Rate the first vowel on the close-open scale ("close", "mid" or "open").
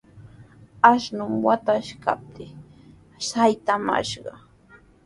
open